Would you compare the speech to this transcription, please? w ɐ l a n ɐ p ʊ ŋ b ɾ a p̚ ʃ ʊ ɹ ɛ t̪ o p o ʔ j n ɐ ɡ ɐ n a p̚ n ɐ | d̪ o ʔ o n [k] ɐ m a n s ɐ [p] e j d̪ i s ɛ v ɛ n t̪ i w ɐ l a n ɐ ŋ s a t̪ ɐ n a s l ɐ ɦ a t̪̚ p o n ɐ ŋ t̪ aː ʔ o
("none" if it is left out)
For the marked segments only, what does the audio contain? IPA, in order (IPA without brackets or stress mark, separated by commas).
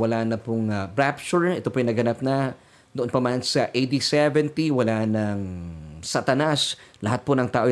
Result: p, ʔ